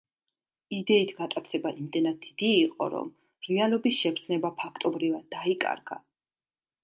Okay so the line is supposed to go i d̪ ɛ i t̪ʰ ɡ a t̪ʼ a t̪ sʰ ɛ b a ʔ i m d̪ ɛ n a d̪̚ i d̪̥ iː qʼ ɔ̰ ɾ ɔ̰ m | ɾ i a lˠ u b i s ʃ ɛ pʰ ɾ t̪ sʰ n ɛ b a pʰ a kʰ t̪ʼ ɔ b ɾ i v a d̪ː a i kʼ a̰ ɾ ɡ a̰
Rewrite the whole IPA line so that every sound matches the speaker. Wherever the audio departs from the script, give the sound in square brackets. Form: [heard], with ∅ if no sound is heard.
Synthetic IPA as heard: i d̪ ɛ i t̪ʰ ɡ a t̪ʼ a t̪ sʰ ɛ b a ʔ i m d̪ ɛ n a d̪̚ i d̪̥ iː qʼ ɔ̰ ɾ ɔ̰ m | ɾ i a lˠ [ɔ] b i s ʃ ɛ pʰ ɾ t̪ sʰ n ɛ b a pʰ a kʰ t̪ʼ ɔ b ɾ i v a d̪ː a i kʼ a̰ ɾ ɡ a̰